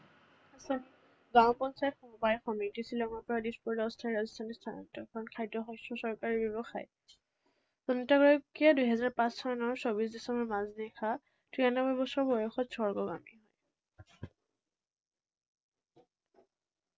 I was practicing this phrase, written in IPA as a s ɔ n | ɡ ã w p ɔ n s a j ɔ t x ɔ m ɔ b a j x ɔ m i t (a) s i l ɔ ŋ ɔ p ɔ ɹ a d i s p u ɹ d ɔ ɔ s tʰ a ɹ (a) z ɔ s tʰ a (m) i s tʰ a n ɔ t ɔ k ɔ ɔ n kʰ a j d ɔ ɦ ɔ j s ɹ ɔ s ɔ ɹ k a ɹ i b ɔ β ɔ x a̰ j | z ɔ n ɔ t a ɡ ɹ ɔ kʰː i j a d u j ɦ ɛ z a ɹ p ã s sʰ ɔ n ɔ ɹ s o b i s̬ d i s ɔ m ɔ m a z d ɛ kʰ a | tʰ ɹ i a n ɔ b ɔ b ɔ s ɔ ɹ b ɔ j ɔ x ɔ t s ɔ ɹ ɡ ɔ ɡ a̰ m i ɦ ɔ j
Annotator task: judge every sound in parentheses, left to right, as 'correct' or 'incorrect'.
incorrect: i, correct, incorrect: n

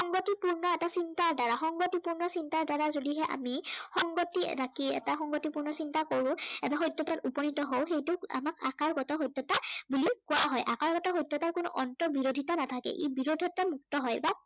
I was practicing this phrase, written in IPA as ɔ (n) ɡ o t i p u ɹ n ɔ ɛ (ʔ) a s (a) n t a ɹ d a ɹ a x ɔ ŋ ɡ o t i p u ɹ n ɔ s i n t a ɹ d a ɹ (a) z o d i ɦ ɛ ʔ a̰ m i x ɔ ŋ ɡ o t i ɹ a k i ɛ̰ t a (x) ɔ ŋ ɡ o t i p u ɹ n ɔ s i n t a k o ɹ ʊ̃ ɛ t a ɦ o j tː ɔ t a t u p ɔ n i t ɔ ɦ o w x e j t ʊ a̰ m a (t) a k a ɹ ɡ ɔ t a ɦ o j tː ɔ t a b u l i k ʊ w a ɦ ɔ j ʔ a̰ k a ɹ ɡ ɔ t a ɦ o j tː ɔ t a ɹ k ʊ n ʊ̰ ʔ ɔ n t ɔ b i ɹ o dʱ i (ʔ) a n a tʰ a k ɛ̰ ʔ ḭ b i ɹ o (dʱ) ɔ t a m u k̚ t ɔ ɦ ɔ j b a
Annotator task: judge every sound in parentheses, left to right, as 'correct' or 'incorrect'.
incorrect: ŋ, incorrect: t, incorrect: i, correct, correct, incorrect: k, incorrect: t, correct

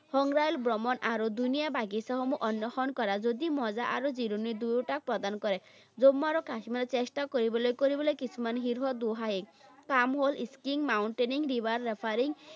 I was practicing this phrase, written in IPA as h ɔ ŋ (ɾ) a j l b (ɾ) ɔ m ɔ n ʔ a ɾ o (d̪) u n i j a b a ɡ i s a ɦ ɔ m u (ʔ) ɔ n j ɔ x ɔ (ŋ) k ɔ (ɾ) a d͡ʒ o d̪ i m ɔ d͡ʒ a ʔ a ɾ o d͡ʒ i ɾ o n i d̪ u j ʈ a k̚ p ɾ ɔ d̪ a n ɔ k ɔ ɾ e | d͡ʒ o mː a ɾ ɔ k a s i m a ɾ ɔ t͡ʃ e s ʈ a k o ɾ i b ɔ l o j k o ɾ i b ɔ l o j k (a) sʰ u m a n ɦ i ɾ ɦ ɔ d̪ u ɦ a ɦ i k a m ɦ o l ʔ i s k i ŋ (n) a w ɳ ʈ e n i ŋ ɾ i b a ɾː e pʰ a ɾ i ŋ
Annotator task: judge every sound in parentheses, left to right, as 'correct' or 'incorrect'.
correct, correct, correct, correct, incorrect: n, correct, incorrect: i, incorrect: m

